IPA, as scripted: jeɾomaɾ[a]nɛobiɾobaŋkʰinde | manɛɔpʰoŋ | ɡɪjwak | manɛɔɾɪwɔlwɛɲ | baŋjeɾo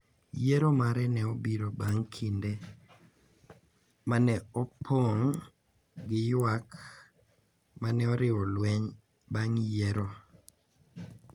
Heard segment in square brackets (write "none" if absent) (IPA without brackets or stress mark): ɛ